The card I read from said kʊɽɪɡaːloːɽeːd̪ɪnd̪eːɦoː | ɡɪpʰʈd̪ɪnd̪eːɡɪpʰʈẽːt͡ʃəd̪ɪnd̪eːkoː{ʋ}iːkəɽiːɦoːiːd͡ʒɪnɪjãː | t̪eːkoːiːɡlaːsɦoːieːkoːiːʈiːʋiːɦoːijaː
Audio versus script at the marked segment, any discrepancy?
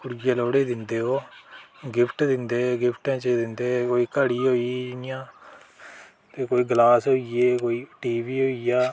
yes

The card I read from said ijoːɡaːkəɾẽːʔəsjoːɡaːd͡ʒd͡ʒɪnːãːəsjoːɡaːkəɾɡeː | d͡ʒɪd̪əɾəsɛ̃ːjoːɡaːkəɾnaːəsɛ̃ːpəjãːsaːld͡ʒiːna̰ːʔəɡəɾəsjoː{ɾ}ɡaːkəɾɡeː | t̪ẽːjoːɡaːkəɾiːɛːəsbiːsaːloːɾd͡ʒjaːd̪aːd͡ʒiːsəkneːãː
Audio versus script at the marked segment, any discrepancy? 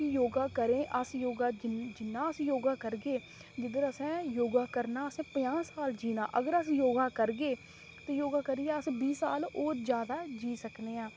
yes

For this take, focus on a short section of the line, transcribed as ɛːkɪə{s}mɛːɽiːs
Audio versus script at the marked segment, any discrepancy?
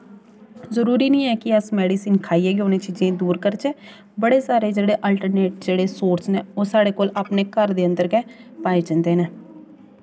no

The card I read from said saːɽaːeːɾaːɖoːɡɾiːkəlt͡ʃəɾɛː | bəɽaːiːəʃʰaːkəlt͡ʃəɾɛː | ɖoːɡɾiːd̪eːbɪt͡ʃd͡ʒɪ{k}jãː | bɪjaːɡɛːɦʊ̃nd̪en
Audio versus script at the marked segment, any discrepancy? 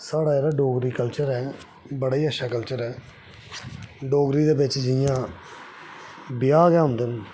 yes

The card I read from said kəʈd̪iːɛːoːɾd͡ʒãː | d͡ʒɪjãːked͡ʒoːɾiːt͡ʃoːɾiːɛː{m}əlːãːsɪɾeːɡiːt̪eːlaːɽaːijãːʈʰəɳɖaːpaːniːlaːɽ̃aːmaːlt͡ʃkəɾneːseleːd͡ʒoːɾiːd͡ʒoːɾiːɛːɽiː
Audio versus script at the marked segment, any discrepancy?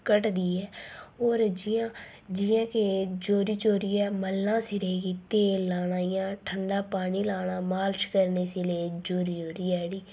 no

